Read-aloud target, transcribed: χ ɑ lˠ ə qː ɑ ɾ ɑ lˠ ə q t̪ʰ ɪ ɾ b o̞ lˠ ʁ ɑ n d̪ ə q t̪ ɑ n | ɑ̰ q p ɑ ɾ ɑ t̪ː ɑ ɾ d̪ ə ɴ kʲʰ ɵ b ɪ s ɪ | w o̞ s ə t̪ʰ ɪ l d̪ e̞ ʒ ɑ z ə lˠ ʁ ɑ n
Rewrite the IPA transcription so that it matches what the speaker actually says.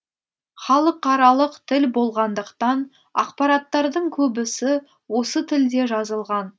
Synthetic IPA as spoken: χ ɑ lˠ ə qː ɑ ɾ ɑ lˠ ə q t̪ʰ ɪ l b o̞ lˠ ʁ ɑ n d̪ ə q t̪ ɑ n | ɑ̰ q p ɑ ɾ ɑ t̪ː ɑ ɾ d̪ ə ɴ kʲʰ ɵ b ɪ s ɪ | w o̞ s ə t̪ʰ ɪ l d̪ e̞ ʒ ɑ z ə lˠ ʁ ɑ n